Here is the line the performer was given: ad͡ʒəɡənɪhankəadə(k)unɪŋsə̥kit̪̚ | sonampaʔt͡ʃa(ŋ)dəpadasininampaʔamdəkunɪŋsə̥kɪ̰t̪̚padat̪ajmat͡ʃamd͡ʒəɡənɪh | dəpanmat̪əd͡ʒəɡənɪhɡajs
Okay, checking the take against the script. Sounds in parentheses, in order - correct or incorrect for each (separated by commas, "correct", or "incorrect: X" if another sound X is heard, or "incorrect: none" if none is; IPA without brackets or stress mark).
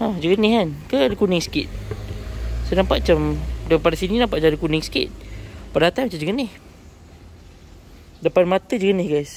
correct, incorrect: m